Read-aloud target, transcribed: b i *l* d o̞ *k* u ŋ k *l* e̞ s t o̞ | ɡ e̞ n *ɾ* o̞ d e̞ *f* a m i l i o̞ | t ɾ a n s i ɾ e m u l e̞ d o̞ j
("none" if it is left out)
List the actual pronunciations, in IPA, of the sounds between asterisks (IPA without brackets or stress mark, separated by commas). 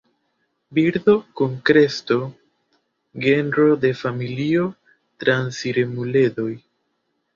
ɾ, k, ɾ, ɾ, f